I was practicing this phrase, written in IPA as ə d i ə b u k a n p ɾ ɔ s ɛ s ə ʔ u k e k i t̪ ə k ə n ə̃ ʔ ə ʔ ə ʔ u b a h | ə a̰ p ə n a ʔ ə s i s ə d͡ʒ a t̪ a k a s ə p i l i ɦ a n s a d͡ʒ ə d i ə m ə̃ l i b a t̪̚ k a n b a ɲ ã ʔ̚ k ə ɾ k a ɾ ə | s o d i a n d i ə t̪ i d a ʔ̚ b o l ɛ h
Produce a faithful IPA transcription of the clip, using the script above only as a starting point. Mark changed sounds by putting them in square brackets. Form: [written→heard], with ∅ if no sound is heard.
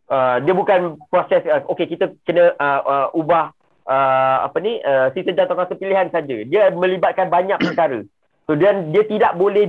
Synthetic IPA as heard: ə d i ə b u k a n p ɾ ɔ s ɛ s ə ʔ [u→o] k e k i t̪ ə k ə n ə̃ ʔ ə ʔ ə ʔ u b a h | ə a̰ p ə n [a→i] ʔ ə s i s ə d͡ʒ a t̪ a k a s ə p i l i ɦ a n s a d͡ʒ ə d i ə m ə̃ l i b a t̪̚ k a n b a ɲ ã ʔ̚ [k→p] ə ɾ k a ɾ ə | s o d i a n d i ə t̪ i d a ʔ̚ b o l ɛ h